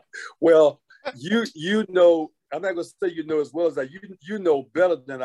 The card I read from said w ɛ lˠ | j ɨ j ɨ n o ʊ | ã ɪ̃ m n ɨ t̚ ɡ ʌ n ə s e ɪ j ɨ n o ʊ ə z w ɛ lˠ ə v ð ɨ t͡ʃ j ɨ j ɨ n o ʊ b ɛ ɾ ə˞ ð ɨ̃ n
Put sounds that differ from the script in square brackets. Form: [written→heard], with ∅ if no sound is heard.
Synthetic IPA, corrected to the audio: w ɛ lˠ | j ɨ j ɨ n o ʊ | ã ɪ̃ m n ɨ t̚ ɡ ʌ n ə s e ɪ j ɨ n o ʊ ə z w ɛ lˠ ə [v→z] ð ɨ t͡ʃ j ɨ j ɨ n o ʊ b ɛ ɾ ə˞ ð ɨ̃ n